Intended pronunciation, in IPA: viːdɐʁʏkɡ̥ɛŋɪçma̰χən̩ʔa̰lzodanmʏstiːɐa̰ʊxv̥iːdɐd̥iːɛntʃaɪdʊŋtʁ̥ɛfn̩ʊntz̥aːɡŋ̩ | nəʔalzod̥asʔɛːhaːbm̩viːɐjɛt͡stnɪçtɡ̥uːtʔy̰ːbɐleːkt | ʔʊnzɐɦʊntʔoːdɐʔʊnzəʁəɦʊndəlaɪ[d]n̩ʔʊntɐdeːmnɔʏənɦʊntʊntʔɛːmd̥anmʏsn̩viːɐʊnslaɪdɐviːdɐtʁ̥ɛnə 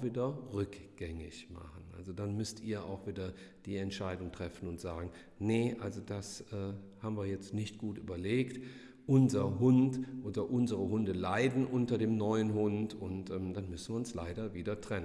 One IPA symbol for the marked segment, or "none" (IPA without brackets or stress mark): d